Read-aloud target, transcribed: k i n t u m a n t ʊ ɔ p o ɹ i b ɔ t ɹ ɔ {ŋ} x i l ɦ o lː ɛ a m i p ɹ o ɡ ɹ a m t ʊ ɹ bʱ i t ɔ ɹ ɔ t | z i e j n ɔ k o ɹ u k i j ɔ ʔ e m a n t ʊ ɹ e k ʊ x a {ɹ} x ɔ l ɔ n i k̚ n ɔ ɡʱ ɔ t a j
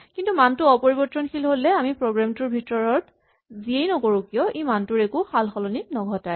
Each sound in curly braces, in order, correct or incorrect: incorrect, incorrect

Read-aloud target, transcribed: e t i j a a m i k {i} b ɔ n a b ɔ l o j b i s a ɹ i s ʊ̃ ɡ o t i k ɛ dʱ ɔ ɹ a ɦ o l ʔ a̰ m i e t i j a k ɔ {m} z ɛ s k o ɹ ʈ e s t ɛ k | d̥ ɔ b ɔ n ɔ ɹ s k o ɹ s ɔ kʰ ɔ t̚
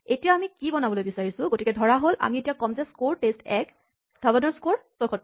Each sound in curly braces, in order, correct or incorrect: correct, correct

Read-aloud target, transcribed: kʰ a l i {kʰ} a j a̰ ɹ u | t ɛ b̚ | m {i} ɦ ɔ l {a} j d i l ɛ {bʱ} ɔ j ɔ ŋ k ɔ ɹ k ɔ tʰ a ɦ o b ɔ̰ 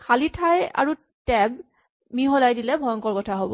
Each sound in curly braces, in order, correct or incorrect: incorrect, correct, correct, correct

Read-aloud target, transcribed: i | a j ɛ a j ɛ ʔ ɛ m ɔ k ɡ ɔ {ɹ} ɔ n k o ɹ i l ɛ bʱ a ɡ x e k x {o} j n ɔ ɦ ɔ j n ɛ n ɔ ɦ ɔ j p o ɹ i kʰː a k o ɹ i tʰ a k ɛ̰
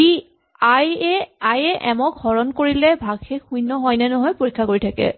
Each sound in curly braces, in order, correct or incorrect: correct, incorrect

